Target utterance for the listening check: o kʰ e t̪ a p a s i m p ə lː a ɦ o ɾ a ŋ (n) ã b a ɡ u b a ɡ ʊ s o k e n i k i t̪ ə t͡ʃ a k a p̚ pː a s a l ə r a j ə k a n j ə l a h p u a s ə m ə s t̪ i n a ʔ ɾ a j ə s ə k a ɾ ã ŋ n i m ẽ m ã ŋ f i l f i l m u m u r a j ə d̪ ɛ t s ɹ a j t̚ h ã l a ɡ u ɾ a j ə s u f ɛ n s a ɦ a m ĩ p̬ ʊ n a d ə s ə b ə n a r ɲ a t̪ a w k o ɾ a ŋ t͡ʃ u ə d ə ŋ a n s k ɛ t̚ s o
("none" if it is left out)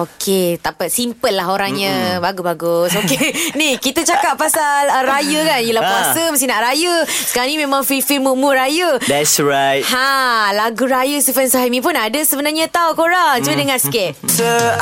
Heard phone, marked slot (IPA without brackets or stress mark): ɲ